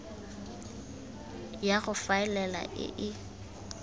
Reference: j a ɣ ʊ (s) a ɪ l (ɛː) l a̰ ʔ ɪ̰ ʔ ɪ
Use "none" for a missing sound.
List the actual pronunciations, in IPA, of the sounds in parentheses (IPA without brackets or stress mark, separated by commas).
f, ɛ